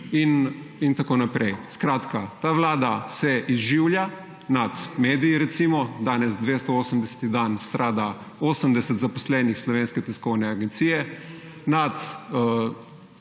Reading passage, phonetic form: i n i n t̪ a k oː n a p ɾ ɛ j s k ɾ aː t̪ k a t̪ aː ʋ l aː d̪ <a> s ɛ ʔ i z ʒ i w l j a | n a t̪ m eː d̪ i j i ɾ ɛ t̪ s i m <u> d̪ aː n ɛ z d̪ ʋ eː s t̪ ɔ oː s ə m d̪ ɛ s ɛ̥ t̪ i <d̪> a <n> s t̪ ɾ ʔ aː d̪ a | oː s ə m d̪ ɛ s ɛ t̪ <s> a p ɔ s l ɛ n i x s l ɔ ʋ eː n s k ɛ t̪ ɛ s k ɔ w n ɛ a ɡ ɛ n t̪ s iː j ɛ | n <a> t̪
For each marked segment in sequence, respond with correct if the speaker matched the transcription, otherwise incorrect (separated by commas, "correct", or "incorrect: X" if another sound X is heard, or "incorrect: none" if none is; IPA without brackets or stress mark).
correct, incorrect: ɔ, correct, correct, incorrect: z, correct